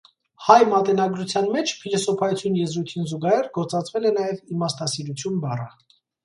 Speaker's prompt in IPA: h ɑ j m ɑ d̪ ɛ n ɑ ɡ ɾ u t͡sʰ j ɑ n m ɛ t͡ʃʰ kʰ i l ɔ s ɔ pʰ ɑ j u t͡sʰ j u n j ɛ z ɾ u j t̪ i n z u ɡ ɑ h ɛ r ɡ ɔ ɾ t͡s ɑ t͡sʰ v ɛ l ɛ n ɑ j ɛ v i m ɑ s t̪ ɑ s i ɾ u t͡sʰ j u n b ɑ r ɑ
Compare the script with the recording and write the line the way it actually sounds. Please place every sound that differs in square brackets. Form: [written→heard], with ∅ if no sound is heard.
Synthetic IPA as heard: h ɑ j m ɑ [d̪→t̪] ɛ n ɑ ɡ ɾ u t͡sʰ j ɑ n m ɛ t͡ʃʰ [kʰ→pʰ] i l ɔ s ɔ pʰ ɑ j u t͡sʰ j u n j ɛ z ɾ u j [t̪→t̪ʰ] i n z u ɡ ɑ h ɛ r ɡ ɔ ɾ t͡s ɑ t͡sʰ v ɛ l ɛ n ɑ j ɛ v i m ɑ s t̪ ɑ s i ɾ u t͡sʰ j u n b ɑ r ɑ

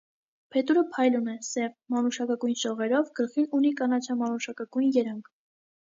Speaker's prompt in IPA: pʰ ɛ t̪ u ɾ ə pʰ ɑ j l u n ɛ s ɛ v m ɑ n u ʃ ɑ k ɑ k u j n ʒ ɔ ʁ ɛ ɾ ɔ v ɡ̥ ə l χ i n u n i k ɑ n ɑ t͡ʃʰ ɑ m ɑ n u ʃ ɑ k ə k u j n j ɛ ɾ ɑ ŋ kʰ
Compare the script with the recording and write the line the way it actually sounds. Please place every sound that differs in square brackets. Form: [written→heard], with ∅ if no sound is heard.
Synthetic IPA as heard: pʰ ɛ t̪ u ɾ ə pʰ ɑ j l u n ɛ s ɛ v m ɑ n u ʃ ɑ k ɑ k u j n [ʒ→ʃ] ɔ ʁ ɛ ɾ ɔ v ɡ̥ ə l χ i n u n i k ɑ n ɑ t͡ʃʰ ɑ m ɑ n u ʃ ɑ k [ə→ɑ] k u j n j ɛ ɾ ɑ ŋ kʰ

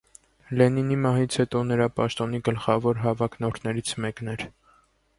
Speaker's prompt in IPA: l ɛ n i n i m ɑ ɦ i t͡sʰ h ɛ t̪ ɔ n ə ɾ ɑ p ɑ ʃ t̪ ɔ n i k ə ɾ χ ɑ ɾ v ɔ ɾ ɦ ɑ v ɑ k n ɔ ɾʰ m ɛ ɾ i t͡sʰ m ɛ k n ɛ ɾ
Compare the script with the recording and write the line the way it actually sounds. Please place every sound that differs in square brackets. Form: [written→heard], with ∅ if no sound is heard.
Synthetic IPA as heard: l ɛ n i n i m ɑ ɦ i t͡sʰ h ɛ t̪ ɔ n ə ɾ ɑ p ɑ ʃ t̪ ɔ n i [k→ɡ] ə [ɾ→l] χ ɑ [ɾ→∅] v ɔ ɾ ɦ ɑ v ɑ k n ɔ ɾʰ [m→n] ɛ ɾ i t͡sʰ m ɛ k n ɛ ɾ

